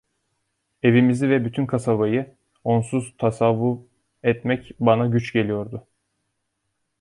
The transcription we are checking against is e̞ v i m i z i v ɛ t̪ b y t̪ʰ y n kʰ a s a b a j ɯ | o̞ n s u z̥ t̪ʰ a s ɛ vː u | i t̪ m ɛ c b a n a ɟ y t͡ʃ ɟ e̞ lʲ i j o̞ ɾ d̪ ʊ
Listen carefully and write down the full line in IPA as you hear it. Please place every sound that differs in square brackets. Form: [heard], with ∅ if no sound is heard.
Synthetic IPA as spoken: e̞ v i m i z i v ɛ [∅] b y t̪ʰ y n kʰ a s a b a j ɯ | o̞ n s u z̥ t̪ʰ a s [a] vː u | [ɛ] t̪ m ɛ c b a n a ɟ y t͡ʃ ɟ e̞ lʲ i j o̞ ɾ d̪ ʊ